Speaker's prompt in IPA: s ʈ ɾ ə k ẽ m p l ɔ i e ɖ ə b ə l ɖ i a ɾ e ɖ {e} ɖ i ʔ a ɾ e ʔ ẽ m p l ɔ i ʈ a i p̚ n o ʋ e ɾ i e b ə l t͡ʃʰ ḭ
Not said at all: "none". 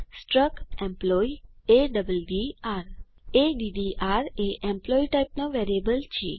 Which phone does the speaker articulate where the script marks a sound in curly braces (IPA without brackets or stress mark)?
i